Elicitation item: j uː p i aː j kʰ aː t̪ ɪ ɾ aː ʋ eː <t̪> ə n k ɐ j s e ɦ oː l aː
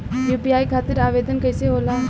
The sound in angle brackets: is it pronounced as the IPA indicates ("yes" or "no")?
no